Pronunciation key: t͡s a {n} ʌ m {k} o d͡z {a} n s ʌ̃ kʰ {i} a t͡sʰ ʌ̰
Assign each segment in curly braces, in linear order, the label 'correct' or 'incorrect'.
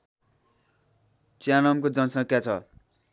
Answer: correct, correct, incorrect, incorrect

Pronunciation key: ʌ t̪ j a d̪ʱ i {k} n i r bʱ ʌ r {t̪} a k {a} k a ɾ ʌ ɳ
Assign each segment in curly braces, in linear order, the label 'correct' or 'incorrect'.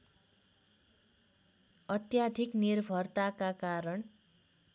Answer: correct, correct, correct

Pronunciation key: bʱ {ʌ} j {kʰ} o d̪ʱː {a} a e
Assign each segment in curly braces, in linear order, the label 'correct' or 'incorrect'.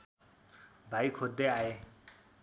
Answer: incorrect, correct, incorrect

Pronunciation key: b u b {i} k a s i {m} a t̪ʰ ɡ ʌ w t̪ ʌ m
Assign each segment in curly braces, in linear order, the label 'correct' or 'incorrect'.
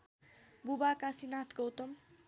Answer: incorrect, incorrect

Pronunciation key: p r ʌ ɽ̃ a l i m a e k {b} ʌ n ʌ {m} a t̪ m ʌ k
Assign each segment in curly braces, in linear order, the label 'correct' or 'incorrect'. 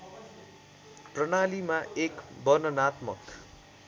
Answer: correct, incorrect

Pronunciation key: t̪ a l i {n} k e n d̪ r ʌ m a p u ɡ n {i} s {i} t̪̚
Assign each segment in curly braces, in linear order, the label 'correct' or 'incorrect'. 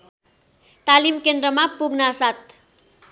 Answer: incorrect, incorrect, incorrect

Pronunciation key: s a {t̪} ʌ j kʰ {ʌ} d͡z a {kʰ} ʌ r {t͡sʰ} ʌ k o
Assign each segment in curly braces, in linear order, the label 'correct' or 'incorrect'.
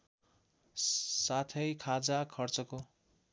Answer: incorrect, incorrect, correct, incorrect

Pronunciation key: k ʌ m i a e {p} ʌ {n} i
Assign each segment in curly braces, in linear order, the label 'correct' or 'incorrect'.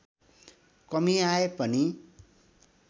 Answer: correct, correct

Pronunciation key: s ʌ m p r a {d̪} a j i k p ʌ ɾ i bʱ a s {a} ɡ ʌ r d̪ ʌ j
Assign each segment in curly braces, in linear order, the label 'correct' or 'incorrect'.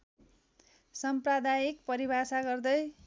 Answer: correct, correct

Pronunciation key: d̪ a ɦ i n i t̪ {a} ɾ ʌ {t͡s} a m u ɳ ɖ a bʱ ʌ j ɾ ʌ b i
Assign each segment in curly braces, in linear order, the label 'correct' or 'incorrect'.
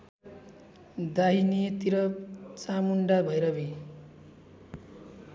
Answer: incorrect, correct

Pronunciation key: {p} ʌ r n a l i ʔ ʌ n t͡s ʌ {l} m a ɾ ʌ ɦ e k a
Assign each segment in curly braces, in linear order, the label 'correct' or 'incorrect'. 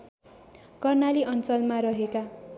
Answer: incorrect, correct

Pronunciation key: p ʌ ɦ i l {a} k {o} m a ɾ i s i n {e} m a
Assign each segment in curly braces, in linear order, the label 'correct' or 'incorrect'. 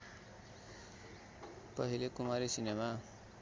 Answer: incorrect, incorrect, correct

